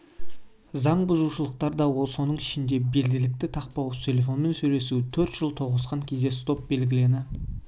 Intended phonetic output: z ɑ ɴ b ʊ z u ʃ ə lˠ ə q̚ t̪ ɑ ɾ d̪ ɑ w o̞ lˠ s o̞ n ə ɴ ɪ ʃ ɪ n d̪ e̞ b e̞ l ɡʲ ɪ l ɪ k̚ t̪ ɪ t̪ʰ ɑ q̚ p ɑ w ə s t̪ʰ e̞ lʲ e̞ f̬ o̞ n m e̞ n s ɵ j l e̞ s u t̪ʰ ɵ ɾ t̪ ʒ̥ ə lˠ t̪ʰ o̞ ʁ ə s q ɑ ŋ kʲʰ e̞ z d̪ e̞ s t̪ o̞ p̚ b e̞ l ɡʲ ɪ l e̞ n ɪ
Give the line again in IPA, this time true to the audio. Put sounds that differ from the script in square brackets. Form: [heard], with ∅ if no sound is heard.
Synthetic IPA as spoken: z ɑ ɴ b ʊ z u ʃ ə lˠ ə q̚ t̪ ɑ ɾ d̪ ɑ w o̞ lˠ s o̞ n ə ɴ ɪ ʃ ɪ n d̪ e̞ b e̞ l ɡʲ ɪ l ɪ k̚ t̪ ɪ t̪ʰ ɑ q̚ p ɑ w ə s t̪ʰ e̞ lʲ e̞ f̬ o̞ n m e̞ n s ɵ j l e̞ s u t̪ʰ ɵ ɾ t̪ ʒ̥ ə lˠ t̪ʰ o̞ ʁ ə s q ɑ ŋ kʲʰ e̞ z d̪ e̞ s t̪ o̞ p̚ b e̞ l ɡʲ ɪ l e̞ n ɪ